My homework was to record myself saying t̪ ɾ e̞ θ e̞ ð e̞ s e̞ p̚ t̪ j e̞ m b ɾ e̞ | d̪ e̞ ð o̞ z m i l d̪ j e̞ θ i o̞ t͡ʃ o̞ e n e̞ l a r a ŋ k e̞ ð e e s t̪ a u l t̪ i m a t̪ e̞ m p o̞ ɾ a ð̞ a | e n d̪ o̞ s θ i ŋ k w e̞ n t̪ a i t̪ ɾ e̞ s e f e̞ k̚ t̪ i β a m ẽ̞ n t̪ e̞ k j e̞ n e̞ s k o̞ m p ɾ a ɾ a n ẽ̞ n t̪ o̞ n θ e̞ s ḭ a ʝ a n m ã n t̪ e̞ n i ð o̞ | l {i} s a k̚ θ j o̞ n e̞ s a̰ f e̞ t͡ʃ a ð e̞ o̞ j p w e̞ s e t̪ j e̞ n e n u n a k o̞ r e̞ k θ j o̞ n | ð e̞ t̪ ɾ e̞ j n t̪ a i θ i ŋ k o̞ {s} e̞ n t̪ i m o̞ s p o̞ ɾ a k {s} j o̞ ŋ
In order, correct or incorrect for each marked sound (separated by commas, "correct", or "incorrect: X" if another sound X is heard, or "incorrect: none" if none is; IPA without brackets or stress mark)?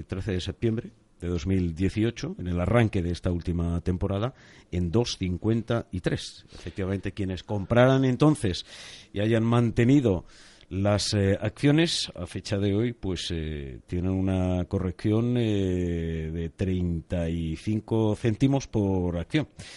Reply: incorrect: a, incorrect: θ, incorrect: θ